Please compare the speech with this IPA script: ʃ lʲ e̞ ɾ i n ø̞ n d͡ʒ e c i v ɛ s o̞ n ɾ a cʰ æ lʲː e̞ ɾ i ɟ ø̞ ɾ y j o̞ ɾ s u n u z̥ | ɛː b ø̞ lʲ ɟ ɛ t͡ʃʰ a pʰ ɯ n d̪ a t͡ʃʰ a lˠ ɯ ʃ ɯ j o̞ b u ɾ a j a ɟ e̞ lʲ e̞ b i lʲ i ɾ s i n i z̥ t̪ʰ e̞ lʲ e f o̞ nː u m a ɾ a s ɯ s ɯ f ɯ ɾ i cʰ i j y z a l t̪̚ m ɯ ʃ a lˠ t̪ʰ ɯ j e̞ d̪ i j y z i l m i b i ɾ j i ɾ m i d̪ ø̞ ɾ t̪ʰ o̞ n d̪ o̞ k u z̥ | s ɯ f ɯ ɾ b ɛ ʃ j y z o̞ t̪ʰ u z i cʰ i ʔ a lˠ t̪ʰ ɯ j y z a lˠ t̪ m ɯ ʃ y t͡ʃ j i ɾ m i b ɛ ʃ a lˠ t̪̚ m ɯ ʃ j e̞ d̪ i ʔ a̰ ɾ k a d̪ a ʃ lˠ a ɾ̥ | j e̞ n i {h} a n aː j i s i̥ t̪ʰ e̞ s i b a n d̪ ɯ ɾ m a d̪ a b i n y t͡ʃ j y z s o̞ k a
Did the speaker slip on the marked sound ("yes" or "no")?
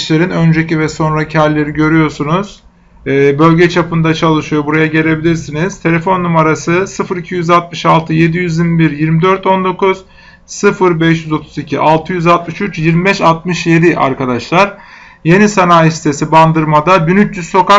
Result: yes